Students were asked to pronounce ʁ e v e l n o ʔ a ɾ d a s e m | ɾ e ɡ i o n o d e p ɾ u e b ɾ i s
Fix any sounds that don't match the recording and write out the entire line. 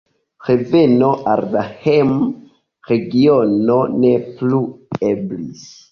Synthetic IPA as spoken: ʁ e v e n o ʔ a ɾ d a h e m | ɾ e ɡ i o n o n e p l u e b l i s